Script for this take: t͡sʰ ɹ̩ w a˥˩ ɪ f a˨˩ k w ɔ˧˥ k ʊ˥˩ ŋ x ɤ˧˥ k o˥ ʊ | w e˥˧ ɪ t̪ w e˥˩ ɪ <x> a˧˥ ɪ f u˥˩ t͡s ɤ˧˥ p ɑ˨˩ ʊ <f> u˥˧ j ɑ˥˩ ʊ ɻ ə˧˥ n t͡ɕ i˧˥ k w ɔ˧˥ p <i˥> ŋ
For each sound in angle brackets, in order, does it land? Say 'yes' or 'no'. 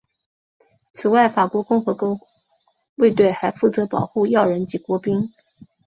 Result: yes, no, yes

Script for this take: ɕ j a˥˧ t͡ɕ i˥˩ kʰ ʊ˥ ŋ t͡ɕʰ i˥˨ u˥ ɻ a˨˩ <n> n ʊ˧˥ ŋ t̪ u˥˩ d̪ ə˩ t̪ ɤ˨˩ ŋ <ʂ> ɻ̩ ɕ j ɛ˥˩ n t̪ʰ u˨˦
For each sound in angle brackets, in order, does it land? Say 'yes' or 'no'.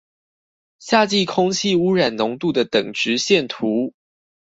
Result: yes, no

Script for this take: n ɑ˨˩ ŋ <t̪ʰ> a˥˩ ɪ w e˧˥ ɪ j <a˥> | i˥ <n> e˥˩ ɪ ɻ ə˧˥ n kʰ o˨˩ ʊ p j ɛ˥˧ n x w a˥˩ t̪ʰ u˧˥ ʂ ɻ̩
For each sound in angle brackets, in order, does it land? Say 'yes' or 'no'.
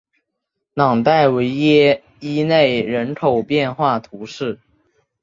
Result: no, no, yes

